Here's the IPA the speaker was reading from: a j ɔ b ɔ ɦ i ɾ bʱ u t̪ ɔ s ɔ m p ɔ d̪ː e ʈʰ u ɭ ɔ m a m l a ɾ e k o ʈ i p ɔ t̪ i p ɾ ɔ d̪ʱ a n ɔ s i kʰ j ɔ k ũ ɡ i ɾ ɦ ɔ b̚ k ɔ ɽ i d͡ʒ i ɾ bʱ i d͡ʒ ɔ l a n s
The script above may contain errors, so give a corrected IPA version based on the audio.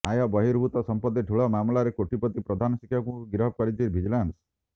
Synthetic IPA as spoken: a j ɔ b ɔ ɦ i ɾ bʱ u t̪ ɔ s ɔ m p ɔ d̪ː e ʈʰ u ɭ ɔ m a m l a ɾ e k o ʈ i p ɔ t̪ i p ɾ ɔ d̪ʱ a n ɔ s i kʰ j ɔ k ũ ɡ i ɾ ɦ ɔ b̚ k ɔ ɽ i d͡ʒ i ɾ bʱ i d͡ʒ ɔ l a n s